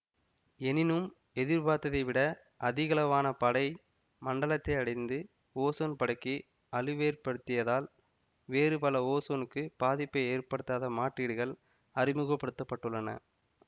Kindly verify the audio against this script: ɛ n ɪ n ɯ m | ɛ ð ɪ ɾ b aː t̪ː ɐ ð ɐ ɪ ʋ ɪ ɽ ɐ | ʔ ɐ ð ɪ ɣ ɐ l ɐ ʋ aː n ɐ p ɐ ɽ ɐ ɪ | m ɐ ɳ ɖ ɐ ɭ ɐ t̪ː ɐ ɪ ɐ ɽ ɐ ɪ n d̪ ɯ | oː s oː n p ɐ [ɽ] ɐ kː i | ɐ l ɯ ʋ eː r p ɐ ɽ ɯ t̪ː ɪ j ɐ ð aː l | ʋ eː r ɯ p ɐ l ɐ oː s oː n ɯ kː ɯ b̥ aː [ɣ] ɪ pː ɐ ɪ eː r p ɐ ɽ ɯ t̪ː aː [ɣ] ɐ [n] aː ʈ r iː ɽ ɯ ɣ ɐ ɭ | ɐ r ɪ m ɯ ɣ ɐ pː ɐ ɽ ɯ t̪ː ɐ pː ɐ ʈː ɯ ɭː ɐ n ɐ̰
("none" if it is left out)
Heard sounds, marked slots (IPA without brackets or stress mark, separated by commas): ɽ, ð, ð, m